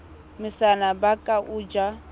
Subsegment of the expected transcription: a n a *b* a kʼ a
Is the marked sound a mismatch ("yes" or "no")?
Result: no